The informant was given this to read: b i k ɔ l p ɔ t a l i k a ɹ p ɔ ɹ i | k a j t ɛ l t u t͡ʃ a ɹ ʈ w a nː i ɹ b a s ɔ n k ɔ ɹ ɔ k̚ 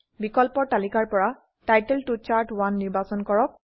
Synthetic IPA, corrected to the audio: b i k ɔ l p ɔ t a l i k a ɹ p ɔ ɹ a | t a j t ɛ l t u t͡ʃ a ɹ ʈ w a nː i ɹ b a s ɔ n k ɔ ɹ ɔ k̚